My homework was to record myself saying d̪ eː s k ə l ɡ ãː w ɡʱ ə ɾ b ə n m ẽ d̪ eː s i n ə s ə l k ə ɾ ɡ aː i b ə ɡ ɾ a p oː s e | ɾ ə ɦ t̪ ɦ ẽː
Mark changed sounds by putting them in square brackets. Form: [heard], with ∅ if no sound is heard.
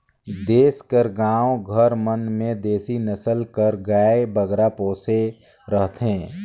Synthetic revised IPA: d̪ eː s k ə [ɾ] ɡ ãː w ɡʱ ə ɾ [m] ə n m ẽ d̪ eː s i n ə s ə l k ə ɾ ɡ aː [e] b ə ɡ ɾ a p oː s e | ɾ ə ɦ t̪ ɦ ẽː